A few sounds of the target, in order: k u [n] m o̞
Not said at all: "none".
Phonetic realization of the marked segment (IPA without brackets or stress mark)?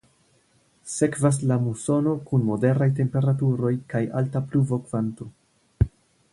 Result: n